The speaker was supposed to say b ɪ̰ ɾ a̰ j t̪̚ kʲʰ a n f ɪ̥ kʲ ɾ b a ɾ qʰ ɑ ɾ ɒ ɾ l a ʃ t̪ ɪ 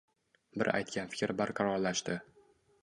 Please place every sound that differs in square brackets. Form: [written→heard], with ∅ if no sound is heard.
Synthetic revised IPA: b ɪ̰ ɾ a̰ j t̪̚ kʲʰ a n f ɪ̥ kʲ ɾ b a ɾ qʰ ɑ ɾ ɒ ɾ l a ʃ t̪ ɪ